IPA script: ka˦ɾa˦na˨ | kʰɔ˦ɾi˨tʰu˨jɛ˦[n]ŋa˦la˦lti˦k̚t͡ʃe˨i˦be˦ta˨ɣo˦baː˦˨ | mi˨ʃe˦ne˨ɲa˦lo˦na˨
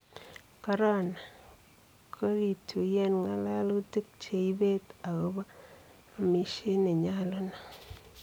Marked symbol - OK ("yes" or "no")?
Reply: yes